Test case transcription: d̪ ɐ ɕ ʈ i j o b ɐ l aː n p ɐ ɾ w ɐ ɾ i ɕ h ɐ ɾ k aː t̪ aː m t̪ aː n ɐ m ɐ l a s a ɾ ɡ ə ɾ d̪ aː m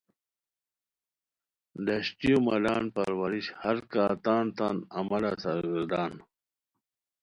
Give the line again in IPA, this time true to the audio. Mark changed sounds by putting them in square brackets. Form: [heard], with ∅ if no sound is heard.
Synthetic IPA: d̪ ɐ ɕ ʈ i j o [m] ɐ l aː n p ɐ ɾ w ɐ ɾ i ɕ h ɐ ɾ k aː t̪ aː [n] t̪ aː n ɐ m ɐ l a s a ɾ ɡ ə ɾ d̪ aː [n]